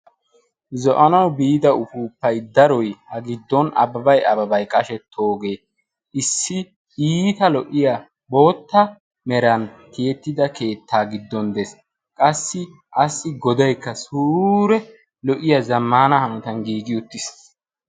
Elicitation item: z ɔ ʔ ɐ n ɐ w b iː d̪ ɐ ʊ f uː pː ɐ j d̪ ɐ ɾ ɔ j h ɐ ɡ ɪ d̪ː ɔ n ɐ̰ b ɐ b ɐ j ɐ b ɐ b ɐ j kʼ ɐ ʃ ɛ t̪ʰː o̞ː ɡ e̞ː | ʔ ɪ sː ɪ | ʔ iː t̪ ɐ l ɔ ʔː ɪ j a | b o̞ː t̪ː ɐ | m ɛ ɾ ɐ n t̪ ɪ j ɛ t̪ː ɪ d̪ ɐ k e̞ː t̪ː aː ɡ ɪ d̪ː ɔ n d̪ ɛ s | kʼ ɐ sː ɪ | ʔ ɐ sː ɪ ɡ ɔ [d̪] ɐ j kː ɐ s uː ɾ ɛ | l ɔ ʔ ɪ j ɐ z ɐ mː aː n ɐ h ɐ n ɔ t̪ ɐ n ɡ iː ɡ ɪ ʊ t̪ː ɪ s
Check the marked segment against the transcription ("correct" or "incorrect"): correct